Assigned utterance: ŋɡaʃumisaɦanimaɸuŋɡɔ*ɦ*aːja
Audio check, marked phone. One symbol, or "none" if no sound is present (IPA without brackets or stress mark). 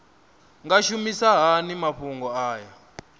none